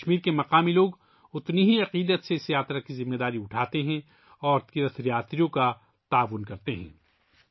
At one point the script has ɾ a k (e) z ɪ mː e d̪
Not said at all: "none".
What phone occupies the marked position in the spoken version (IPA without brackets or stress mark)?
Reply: i